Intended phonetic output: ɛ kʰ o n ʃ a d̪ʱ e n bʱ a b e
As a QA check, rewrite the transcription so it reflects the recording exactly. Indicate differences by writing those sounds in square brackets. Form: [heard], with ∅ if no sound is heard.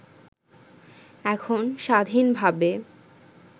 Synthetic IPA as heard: ɛ kʰ o n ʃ a d̪ʱ [i] n bʱ a b e